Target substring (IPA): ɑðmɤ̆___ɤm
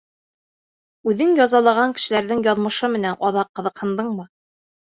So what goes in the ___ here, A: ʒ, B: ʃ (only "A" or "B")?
B